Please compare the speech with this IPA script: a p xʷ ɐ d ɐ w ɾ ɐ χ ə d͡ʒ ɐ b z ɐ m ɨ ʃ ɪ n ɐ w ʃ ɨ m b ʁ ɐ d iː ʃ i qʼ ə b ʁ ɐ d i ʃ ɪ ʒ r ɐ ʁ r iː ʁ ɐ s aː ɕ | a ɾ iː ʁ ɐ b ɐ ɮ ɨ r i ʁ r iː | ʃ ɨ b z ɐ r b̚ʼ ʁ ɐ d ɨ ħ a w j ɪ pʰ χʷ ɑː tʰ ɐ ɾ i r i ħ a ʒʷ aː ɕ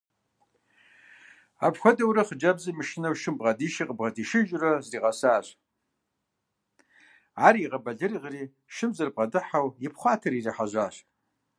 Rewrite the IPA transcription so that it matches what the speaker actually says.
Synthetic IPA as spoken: a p xʷ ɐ d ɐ w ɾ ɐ χ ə d͡ʒ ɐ b z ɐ m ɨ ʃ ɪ n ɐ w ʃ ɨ m b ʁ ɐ d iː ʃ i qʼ ə b ʁ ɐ d i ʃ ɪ ʒ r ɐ z r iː ʁ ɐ s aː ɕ | a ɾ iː ʁ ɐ b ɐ ɮ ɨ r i ʁ r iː | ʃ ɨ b z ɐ r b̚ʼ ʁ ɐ d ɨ ħ a w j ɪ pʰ χʷ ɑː tʰ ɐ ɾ i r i ħ a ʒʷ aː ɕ

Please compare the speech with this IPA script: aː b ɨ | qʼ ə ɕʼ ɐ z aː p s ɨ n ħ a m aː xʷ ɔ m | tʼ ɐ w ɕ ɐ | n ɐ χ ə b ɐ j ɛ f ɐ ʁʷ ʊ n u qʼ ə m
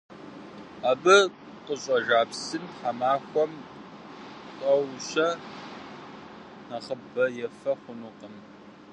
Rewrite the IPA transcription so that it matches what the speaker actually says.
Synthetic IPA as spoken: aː b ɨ | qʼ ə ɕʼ ɐ ʒ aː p s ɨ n ħ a m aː xʷ ɔ m | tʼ ɐ w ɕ ɐ | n ɐ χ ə b ɐ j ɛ f ɐ χʷ ʊ n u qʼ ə m

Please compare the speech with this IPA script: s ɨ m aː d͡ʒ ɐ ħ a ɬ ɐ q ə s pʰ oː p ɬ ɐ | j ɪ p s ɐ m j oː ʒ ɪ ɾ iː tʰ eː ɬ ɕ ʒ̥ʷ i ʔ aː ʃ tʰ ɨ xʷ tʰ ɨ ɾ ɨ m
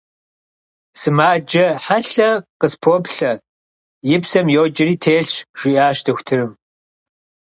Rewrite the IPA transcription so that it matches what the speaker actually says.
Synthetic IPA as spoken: s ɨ m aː d͡ʒ ɐ ħ a ɬ ɐ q ə s pʰ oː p ɬ ɐ | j ɪ p s ɐ m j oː d͡ʒ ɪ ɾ iː tʰ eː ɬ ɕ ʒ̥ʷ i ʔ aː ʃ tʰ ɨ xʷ tʰ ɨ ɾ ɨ m

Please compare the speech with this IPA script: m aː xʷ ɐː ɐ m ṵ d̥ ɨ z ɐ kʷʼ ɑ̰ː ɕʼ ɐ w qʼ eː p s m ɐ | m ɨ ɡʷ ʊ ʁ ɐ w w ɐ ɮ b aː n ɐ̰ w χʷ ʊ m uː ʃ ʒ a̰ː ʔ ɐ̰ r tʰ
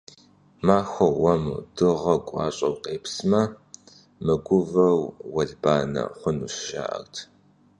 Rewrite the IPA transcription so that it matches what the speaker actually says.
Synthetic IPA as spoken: m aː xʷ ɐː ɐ m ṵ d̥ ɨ ʁ ɐ kʷʼ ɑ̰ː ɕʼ ɐ w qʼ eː p s m ɐ | m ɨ ɡʷ ʊ v ɐ w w ɐ ɮ b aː n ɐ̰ χʷ ʊ n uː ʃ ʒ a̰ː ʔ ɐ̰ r tʰ

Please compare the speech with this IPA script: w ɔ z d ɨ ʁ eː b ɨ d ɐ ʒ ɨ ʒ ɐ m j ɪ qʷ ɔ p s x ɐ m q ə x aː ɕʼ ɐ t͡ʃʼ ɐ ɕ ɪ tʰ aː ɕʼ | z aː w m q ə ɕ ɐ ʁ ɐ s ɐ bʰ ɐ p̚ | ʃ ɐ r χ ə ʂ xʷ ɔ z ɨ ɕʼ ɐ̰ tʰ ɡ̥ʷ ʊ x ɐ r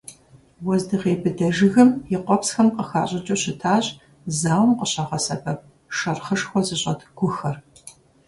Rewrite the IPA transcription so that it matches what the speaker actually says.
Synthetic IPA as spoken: w ɔ z d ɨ ʁ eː b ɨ d ɐ ʒ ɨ ɣ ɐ m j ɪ qʷ ɔ p s x ɐ m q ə x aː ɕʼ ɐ t͡ʃʼ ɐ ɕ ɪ tʰ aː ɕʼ | z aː w m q ə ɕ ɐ ʁ ɐ s ɐ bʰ ɐ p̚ | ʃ ɐ r χ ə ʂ xʷ ɔ z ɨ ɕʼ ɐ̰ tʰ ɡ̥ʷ ʊ x ɐ r

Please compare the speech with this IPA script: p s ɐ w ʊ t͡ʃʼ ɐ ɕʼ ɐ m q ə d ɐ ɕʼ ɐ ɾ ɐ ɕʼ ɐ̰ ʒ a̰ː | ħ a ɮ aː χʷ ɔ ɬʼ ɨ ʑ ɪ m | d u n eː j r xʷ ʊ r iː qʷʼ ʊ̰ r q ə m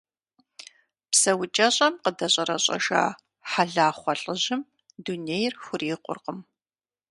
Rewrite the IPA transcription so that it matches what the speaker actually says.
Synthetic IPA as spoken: p s ɐ w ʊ t͡ʃʼ ɐ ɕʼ ɐ m q ə d ɐ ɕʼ ɐ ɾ ɐ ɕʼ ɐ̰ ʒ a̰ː | ħ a ɮ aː χʷ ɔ ɬʼ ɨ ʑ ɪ m | d u n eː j r xʷ ʊ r iː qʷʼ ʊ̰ r q ə m

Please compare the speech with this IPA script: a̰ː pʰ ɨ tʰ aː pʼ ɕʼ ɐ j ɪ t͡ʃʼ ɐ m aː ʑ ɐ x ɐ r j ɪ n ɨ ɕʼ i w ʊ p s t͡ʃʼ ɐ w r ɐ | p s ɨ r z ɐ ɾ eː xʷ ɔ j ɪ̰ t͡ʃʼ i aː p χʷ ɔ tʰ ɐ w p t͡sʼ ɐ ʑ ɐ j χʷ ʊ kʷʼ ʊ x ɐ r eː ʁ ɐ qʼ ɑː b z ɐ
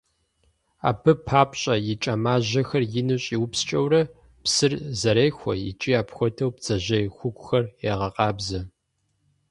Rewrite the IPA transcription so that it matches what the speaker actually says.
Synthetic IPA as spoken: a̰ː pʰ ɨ pʰ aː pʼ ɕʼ ɐ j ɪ t͡ʃʼ ɐ m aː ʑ ɐ x ɐ r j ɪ n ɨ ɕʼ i w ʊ p s t͡ʃʼ ɐ w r ɐ | p s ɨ r z ɐ ɾ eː xʷ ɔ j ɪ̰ t͡ʃʼ i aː p xʷ ɔ tʰ ɐ w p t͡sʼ ɐ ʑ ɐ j xʷ ʊ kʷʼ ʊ x ɐ r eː ʁ ɐ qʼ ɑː b z ɐ

